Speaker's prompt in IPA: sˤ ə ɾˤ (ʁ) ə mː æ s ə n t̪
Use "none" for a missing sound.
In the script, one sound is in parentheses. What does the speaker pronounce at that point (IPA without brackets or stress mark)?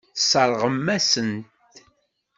ʁ